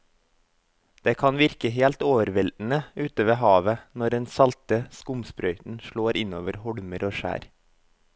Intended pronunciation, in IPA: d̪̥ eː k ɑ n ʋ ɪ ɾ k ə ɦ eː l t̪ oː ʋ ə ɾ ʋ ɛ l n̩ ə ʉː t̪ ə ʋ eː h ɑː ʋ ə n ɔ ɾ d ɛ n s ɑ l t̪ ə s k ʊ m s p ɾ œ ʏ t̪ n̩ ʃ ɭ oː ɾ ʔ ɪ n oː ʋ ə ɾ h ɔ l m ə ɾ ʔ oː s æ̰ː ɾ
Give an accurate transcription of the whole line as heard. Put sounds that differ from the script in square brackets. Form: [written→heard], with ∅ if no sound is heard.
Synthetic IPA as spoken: d̪̥ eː [k→kʰ] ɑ n ʋ ɪ ɾ k ə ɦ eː l t̪ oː ʋ ə ɾ ʋ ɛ l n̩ ə ʉː t̪ ə ʋ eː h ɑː ʋ ə n ɔ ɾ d ɛ n s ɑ l t̪ ə s k ʊ m s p ɾ œ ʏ t̪ n̩ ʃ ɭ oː ɾ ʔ ɪ n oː ʋ ə ɾ h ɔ [l→ɽ] m ə ɾ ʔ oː [s→ʃ] æ̰ː ɾ